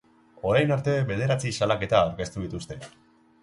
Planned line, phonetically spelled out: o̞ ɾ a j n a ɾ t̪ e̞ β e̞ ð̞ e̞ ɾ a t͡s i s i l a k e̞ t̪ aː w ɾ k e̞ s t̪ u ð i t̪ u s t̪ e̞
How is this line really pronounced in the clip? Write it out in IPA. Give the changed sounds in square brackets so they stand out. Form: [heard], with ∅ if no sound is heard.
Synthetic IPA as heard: o̞ ɾ a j n a ɾ t̪ e̞ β e̞ ð̞ e̞ ɾ a t͡s i s [a] l a k e̞ t̪ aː w ɾ k e̞ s t̪ u ð i t̪ u s t̪ e̞